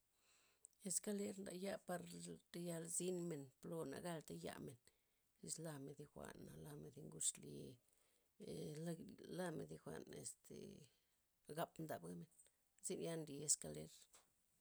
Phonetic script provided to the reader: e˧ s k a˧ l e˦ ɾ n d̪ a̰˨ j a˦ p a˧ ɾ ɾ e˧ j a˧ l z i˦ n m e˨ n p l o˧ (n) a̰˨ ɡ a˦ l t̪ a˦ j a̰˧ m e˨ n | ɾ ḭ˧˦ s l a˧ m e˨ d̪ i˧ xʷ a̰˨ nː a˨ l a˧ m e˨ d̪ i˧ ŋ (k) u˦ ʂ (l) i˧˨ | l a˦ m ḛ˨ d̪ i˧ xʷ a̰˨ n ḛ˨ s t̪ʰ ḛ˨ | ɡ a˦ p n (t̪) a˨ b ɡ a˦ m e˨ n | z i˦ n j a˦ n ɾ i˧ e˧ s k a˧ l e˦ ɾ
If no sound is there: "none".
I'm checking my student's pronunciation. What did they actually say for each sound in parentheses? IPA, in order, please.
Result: n, ɡ, l, d̪

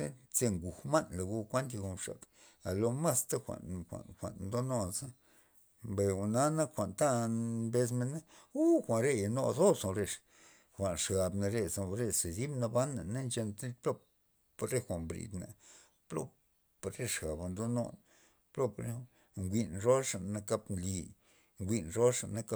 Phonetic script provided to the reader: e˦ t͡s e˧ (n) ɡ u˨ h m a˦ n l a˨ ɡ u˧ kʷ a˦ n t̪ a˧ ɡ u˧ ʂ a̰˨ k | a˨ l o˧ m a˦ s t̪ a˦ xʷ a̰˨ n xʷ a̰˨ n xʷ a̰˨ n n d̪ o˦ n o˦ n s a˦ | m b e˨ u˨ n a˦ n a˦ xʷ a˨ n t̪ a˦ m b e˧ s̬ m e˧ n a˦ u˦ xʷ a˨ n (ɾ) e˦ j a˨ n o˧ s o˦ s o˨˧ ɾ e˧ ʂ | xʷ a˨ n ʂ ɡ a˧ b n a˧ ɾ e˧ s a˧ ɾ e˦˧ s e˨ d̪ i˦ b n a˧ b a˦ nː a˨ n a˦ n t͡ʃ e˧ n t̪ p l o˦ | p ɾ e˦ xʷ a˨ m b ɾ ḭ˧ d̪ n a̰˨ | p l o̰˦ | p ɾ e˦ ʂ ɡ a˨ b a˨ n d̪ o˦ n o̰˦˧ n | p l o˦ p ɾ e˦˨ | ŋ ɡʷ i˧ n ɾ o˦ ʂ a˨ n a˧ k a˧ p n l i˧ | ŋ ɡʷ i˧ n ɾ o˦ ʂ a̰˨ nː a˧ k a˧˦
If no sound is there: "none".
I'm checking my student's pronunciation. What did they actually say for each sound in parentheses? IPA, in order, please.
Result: ŋ, ɾ

